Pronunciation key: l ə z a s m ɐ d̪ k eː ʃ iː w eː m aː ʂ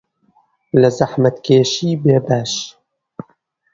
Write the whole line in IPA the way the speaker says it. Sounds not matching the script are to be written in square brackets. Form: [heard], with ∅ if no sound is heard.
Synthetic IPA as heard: l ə z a [ħ] m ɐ [t̪] k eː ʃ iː [b] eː [b] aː [ʃ]